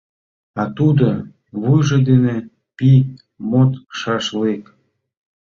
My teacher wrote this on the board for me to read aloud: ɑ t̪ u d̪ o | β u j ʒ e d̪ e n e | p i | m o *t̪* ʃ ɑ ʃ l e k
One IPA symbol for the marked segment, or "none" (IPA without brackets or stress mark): t̪